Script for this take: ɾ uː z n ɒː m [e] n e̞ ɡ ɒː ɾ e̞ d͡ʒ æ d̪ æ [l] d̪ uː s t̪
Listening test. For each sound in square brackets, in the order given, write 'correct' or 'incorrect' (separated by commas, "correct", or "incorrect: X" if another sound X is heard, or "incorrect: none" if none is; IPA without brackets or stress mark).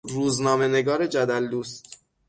correct, correct